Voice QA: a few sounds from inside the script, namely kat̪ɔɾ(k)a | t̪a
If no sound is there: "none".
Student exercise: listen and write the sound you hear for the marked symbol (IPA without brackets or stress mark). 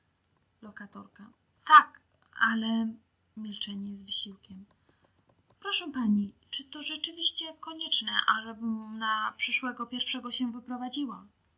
k